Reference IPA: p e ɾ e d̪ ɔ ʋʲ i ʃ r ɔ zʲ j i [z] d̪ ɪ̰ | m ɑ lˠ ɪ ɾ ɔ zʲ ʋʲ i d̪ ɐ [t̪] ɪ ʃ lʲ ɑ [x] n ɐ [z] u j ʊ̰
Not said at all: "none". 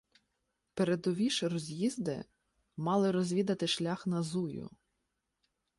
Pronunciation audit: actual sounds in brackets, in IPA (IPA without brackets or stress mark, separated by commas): z, t̪, x, z